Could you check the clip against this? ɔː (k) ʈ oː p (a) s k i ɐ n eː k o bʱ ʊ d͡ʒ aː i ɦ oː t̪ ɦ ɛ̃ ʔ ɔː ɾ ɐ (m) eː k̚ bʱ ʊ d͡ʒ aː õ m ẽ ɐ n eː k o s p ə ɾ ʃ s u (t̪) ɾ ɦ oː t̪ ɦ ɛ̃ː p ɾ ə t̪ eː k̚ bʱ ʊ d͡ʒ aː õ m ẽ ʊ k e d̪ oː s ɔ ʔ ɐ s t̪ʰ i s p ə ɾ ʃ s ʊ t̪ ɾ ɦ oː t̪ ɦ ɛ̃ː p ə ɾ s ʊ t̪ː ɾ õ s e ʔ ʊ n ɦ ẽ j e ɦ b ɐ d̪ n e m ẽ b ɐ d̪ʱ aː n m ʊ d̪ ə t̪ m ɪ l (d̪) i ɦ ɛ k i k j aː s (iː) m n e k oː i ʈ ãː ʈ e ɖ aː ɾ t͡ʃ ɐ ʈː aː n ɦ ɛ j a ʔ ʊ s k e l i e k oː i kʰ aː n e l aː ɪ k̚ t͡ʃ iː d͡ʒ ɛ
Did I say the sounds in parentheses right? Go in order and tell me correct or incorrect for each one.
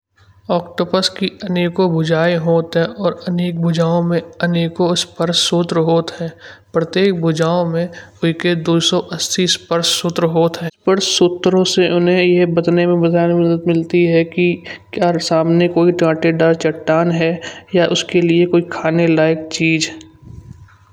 correct, incorrect: ə, incorrect: n, correct, incorrect: t̪, incorrect: aː

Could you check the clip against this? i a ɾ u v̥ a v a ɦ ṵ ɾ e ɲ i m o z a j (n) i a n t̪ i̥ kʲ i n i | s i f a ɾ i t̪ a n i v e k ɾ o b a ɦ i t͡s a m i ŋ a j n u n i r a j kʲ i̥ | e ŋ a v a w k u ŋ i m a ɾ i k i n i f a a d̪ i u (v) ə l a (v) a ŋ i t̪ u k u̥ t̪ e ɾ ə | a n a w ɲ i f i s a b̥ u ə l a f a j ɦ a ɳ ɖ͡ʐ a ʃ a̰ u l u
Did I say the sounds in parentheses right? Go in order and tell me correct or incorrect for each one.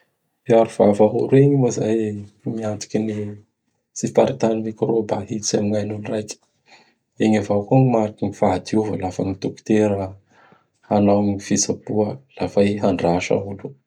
incorrect: m, correct, incorrect: f

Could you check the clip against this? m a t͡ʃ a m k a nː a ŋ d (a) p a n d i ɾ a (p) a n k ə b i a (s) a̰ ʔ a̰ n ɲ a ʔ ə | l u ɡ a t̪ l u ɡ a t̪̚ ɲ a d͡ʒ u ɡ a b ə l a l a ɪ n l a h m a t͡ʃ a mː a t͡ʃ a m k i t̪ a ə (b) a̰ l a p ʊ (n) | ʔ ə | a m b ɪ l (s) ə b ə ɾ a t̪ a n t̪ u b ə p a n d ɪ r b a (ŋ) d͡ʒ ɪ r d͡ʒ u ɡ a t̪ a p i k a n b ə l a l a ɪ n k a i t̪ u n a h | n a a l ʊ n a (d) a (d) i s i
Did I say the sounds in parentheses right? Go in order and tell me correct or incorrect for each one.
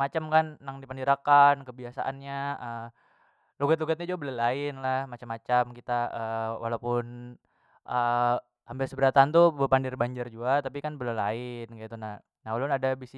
incorrect: i, incorrect: k, correct, incorrect: w, correct, correct, incorrect: ɲ, correct, incorrect: b

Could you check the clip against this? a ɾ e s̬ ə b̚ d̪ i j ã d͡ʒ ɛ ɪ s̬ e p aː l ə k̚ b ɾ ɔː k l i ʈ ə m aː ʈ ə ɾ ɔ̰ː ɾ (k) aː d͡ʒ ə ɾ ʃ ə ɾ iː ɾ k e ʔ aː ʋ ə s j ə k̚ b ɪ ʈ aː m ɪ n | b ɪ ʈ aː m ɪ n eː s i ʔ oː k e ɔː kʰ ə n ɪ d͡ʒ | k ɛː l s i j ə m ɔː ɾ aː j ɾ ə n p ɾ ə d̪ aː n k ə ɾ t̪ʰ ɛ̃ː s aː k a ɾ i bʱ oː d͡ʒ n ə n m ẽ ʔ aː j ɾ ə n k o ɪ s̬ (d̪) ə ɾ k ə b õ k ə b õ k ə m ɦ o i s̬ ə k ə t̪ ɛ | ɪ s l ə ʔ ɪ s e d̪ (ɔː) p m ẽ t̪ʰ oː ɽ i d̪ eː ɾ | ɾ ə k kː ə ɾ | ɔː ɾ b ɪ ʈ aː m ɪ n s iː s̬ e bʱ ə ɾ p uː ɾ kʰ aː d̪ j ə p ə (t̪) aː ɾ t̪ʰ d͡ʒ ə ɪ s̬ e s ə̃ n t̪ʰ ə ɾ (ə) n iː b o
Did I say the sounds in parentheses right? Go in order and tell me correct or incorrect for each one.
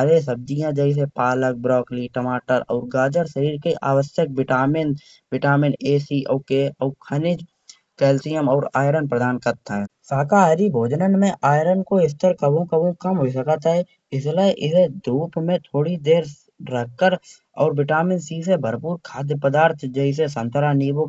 incorrect: ɡ, incorrect: t̪, incorrect: uː, incorrect: d̪, incorrect: a

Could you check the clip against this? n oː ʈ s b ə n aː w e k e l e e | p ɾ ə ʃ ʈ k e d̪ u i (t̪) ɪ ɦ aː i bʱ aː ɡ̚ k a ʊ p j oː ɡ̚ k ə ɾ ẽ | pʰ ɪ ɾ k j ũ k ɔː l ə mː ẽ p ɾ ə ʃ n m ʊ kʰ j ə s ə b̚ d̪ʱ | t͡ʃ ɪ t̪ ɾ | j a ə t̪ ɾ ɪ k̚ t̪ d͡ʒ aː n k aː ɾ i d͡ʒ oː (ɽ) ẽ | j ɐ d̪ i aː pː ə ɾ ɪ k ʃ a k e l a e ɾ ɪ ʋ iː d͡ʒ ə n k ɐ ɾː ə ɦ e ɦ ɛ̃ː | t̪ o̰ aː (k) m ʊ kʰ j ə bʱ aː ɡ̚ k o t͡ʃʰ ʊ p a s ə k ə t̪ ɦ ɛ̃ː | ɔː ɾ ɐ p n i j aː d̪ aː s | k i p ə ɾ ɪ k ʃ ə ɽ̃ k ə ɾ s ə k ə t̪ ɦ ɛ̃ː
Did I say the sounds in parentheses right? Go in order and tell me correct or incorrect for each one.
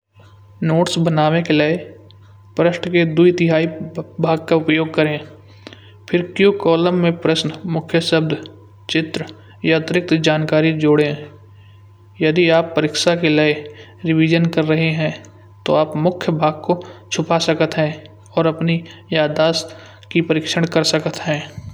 correct, correct, incorrect: p

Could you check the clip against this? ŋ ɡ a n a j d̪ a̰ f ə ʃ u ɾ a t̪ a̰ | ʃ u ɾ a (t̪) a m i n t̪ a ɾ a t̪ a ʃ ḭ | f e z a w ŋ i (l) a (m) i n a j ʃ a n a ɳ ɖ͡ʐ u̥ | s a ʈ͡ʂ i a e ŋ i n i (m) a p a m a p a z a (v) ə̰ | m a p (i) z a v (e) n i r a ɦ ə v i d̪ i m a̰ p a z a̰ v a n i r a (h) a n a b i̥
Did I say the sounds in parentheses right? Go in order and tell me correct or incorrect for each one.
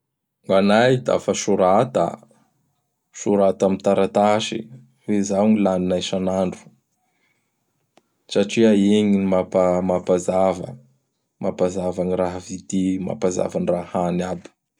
correct, correct, incorrect: n, correct, correct, incorrect: a, incorrect: a, correct

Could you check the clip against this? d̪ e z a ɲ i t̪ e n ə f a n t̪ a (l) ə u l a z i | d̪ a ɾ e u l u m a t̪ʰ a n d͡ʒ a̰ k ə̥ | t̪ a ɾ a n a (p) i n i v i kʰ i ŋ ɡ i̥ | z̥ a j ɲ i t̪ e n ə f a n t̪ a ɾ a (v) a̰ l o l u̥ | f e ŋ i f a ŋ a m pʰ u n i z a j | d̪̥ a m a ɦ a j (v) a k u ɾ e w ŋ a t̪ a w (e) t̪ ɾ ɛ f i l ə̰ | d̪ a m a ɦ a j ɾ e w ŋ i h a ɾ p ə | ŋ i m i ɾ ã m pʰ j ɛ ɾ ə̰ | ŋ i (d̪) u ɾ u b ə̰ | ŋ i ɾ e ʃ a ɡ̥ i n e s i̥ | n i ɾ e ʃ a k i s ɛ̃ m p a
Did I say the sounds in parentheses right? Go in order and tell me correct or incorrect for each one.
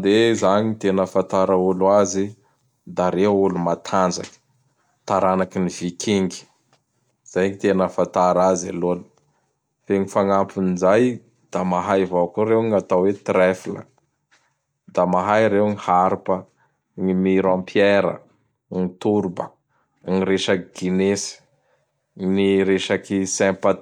incorrect: ɾ, incorrect: k, incorrect: z, correct, correct, incorrect: t̪

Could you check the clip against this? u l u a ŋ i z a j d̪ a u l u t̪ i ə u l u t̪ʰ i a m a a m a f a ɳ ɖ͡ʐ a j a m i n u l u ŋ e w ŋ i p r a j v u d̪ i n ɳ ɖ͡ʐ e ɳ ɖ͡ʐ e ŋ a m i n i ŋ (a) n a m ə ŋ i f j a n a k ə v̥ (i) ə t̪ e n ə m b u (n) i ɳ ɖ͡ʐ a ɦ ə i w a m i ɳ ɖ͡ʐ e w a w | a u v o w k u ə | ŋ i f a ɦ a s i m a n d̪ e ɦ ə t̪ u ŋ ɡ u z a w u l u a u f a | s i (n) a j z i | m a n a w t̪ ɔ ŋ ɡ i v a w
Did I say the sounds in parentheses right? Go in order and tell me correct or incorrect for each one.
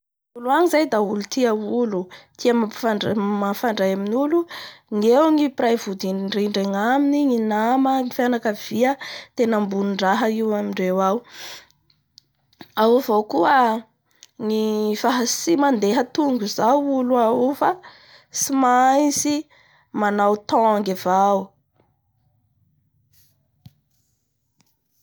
incorrect: i, correct, correct, incorrect: m

